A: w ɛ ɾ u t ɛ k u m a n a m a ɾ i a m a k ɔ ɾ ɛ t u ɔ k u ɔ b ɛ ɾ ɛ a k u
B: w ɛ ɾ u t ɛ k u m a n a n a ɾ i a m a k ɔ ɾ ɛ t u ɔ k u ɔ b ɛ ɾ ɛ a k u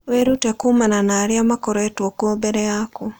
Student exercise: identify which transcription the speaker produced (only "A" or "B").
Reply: B